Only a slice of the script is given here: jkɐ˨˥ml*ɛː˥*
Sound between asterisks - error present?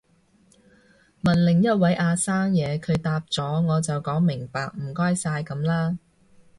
yes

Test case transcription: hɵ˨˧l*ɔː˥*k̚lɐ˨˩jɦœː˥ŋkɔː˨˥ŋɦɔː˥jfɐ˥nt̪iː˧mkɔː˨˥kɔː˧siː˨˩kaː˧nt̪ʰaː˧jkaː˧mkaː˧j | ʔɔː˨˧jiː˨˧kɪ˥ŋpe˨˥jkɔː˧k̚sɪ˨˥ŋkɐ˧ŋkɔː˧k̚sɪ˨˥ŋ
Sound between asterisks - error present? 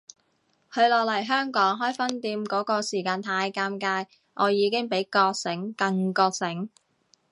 yes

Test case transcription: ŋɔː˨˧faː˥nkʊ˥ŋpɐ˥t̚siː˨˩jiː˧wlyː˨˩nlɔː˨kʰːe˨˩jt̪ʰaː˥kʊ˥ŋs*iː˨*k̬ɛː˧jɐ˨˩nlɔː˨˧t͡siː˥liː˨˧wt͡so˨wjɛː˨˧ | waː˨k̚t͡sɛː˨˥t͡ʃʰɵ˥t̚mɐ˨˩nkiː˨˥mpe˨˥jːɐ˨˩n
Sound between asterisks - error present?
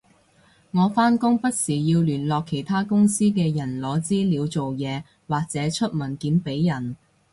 yes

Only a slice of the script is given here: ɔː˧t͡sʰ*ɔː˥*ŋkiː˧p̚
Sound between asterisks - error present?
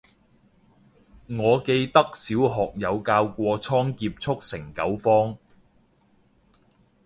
no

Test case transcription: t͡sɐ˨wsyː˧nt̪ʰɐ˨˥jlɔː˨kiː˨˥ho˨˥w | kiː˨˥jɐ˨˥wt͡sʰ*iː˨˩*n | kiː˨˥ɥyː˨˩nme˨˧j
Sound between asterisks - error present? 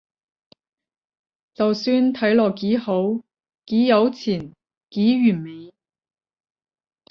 no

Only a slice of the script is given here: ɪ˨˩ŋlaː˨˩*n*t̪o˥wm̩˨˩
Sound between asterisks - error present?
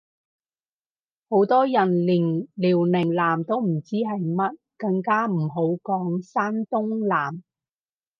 yes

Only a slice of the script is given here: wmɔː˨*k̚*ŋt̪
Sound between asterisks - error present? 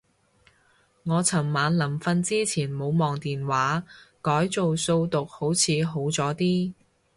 yes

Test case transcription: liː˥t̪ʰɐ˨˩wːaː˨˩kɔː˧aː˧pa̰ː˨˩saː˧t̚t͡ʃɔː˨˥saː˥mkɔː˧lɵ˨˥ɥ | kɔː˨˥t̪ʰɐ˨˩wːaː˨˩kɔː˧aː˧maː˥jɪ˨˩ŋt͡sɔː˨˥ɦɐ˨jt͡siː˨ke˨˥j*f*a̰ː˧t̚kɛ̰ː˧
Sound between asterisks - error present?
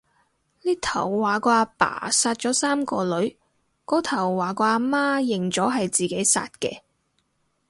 yes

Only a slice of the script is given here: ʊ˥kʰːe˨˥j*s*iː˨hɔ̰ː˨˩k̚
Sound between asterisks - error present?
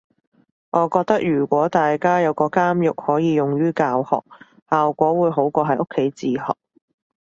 yes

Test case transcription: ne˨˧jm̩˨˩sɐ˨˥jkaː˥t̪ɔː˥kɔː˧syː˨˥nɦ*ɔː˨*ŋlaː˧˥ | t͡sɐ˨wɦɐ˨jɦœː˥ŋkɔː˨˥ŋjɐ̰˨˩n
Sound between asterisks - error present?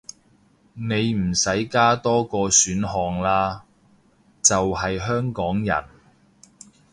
no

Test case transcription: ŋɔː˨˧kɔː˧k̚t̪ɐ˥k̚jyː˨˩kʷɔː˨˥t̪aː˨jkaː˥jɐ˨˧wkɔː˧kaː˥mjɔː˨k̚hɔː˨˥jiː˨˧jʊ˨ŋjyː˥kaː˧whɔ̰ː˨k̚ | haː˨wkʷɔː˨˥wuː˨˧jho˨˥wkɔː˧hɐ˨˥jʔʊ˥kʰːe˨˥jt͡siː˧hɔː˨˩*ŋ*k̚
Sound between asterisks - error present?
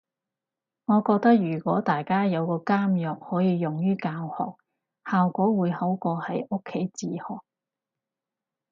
yes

